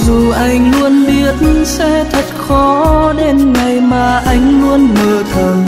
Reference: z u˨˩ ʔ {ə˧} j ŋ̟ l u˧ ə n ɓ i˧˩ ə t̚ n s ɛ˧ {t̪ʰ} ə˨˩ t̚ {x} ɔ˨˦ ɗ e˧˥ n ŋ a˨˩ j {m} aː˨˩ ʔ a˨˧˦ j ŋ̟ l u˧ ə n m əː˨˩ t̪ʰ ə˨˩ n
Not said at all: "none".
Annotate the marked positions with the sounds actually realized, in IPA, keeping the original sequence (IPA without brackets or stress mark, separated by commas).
a˧, t̪ʰ, x, m